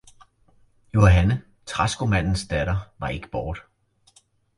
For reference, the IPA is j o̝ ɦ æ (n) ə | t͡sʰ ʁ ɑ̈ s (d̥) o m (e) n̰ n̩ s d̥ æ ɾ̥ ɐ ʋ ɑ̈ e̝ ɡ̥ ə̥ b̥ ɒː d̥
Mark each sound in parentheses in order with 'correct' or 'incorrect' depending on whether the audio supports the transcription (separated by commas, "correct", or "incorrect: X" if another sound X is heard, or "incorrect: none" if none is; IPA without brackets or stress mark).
correct, incorrect: ɡ̥, incorrect: æ